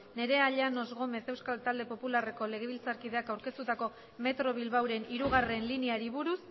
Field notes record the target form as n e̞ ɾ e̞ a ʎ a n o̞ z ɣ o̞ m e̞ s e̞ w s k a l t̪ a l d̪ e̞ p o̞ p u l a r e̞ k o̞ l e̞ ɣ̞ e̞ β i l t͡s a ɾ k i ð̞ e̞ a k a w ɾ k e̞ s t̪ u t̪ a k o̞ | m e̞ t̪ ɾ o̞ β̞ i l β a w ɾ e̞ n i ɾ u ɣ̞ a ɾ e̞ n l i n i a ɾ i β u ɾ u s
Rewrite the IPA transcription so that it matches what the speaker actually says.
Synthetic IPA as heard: n e̞ ɾ e̞ a ʎ a n o̞ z ɣ o̞ m e̞ s e̞ w s k a l t̪ a l d̪ e̞ p o̞ p u l a r e̞ k o̞ l e̞ ɣ̞ e̞ β i l t͡s a ɾ k i ð̞ e̞ a k a w ɾ k e̞ s t̪ u t̪ a k o̞ | m e̞ t̪ ɾ o̞ β̞ i l β a w ɾ e̞ n i ɾ u ɣ̞ a r e̞ n l i n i a ɾ i β u ɾ u s

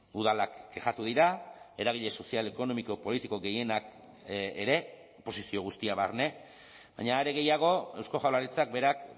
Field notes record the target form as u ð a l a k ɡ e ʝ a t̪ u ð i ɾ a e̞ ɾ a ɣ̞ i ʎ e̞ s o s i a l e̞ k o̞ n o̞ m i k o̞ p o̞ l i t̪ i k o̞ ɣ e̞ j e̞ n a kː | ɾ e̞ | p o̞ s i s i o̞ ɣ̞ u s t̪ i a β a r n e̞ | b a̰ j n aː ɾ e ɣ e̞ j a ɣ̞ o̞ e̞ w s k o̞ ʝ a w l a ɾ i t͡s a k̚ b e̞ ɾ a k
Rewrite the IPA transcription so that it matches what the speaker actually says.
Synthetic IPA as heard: u ð a l a k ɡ e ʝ a t̪ u ð i ɾ a e̞ ɾ a ɣ̞ i ʎ e̞ s o s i a l e̞ k o̞ n o̞ m i k o̞ p o̞ l i t̪ i k o̞ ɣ e̞ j e̞ n a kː | ɾ e̞ | p o̞ s i s i o̞ ɣ̞ u s t̪ i a β a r n e̞ | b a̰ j ɲ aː ɾ e ɣ e̞ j a ɣ̞ o̞ e̞ w s k o̞ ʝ a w l a ɾ i t͡s a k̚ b e̞ ɾ a k

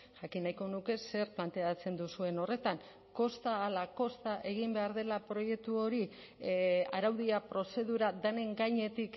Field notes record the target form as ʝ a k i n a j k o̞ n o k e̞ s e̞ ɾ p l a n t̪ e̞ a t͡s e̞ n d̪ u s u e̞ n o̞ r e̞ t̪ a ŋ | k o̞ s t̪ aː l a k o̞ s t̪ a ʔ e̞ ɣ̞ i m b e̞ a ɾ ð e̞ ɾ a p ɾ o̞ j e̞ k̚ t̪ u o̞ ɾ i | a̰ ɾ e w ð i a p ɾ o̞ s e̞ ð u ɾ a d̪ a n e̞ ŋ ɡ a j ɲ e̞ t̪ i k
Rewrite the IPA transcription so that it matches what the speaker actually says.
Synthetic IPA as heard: ʝ a k i n a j k o̞ n u k e̞ s e̞ ɾ p l a n t̪ e̞ a t͡s e̞ n d̪ u s u e̞ n o̞ r e̞ t̪ a ŋ | k o̞ s t̪ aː l a k o̞ s t̪ a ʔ e̞ ɣ̞ i m b e̞ a ɾ ð e̞ l a p ɾ o̞ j e̞ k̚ t̪ u o̞ ɾ i | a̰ ɾ a w ð i a p ɾ o̞ s e̞ ð u ɾ a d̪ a n e̞ ŋ ɡ a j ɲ e̞ t̪ i k

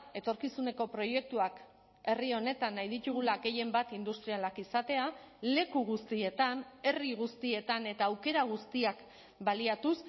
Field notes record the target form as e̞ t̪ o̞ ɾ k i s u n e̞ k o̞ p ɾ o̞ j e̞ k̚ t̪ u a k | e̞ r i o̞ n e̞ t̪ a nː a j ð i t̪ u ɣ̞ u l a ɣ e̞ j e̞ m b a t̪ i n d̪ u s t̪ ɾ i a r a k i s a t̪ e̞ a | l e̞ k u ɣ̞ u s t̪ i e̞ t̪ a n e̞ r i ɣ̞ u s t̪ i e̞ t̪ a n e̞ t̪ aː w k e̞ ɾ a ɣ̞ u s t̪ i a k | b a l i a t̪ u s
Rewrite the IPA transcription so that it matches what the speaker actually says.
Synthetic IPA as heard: e̞ t̪ o̞ ɾ k i s u n e̞ k o̞ p ɾ o̞ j e̞ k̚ t̪ u a k | e̞ r i o̞ n e̞ t̪ a nː a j ð i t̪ u ɣ̞ u l a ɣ e̞ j e̞ m b a t̪ i n d̪ u s t̪ ɾ i a l a k i s a t̪ e̞ a | l e̞ k u ɣ̞ u s t̪ i e̞ t̪ a n e̞ r i ɣ̞ u s t̪ i e̞ t̪ a n e̞ t̪ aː w k e̞ ɾ a ɣ̞ u s t̪ i a k | b a l i a t̪ u s

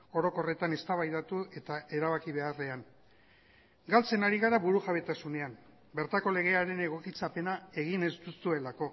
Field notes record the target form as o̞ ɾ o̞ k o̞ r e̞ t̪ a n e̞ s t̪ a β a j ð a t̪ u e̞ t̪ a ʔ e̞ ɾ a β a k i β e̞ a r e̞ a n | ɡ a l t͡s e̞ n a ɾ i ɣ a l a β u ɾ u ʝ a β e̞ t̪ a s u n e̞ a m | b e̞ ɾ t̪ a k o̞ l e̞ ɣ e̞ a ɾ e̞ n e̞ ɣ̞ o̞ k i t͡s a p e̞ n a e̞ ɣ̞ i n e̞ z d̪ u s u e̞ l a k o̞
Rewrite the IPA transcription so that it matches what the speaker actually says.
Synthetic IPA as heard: o̞ ɾ o̞ k o̞ r e̞ t̪ a n e̞ s t̪ a β a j ð a t̪ u e̞ t̪ a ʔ e̞ ɾ a β a k i β e̞ a r e̞ a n | ɡ a l t͡s e̞ n a ɾ i ɣ a ɾ a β u ɾ u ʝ a β e̞ t̪ a s u n e̞ a m | b e̞ ɾ t̪ a k o̞ l e̞ ɣ e̞ a ɾ e̞ n e̞ ɣ̞ o̞ k i t͡s a p e̞ n a e̞ ɣ̞ i n e̞ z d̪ u s u e̞ l a k o̞

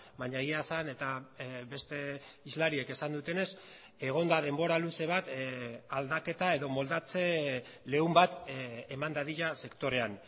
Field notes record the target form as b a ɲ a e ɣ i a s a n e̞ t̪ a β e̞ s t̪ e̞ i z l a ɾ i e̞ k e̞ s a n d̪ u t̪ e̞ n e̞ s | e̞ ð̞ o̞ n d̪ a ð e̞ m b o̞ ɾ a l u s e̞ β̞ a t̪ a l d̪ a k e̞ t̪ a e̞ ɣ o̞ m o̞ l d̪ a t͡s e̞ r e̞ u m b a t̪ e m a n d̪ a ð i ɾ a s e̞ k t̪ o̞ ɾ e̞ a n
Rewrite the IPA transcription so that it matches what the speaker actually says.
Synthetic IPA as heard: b a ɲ a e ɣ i a s a n e̞ t̪ a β e̞ s t̪ e̞ i z l a ɾ i e̞ k e̞ s a n d̪ u t̪ e̞ n e̞ s | e̞ ɣ̞ o̞ n d̪ a ð e̞ m b o̞ ɾ a l u s e̞ β̞ a t̪ a l d̪ a k e̞ t̪ a e̞ ð o̞ m o̞ l d̪ a t͡s e̞ l e̞ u m b a t̪ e m a n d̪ a ð i ʎ a s e̞ k t̪ o̞ ɾ e̞ a n

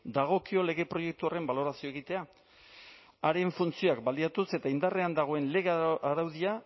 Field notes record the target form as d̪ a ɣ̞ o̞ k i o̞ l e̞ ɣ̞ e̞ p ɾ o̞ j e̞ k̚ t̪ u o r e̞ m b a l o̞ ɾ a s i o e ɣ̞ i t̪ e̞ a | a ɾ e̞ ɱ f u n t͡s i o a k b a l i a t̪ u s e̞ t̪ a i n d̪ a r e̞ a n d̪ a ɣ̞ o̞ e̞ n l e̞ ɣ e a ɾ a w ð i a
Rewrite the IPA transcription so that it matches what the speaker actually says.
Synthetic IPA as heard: d̪ a ɣ̞ o̞ k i o̞ l e̞ ɣ̞ e̞ p ɾ o̞ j e̞ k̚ t̪ u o r e̞ m b a l o̞ ɾ a s i o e ɣ̞ i t̪ e̞ a | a ɾ e̞ ɱ f u n t͡s i o a k b a l i a t̪ u s e̞ t̪ a i n d̪ a r e̞ a n d̪ a ɣ̞ o̞ e̞ n l e̞ ɣ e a ɾ a w ð i a

